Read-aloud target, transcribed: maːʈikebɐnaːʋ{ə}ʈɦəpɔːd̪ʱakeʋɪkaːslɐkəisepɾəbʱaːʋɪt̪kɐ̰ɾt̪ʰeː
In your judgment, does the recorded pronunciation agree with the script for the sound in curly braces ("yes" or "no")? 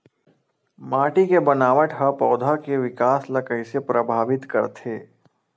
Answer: yes